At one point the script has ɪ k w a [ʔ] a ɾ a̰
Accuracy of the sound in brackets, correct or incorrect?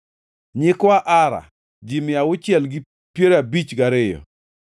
correct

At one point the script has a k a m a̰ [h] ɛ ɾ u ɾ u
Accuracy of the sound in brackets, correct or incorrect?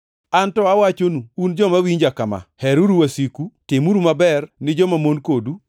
correct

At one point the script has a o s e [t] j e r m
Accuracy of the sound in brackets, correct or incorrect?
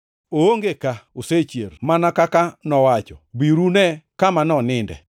incorrect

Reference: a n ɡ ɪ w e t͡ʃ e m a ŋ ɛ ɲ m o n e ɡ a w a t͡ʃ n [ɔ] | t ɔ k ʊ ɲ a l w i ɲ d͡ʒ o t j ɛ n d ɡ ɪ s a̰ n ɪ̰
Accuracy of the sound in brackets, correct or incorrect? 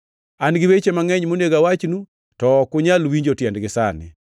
incorrect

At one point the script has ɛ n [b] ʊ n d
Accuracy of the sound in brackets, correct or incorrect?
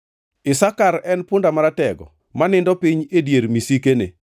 incorrect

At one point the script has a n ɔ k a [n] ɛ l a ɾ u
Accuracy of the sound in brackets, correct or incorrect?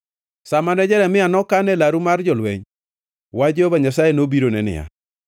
correct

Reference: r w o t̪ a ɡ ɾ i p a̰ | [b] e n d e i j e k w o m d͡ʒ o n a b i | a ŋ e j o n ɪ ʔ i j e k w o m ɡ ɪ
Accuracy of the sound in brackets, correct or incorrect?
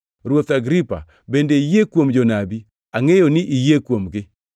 correct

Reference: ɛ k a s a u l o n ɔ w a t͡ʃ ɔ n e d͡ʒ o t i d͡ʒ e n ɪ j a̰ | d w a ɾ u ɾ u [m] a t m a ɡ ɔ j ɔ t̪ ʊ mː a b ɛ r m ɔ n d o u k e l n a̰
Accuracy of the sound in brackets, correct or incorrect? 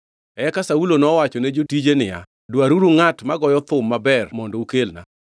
incorrect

